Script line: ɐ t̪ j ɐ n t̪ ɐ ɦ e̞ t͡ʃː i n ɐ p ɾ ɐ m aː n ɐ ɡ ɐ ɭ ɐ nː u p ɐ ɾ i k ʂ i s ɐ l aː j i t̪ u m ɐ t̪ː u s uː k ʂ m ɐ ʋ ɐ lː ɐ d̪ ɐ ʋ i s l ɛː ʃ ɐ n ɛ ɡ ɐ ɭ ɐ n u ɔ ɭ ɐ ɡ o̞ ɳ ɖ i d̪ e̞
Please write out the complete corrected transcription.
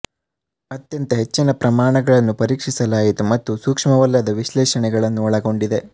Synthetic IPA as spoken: ɐ t̪ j ɐ n t̪ ɐ ɦ e̞ t͡ʃː i n ɐ p ɾ ɐ m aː ɳ ɐ ɡ ɐ ɭ ɐ nː u p ɐ ɾ iː k ʂ i s ɐ l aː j i t̪ u m ɐ t̪ː u s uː k ʂ m ɐ ʋ ɐ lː ɐ d̪ ɐ ʋ i ʃ l ɛː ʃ ɐ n ɛ ɡ ɐ ɭ ɐ nː u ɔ ɭ ɐ ɡ o̞ ɳ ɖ i d̪ e̞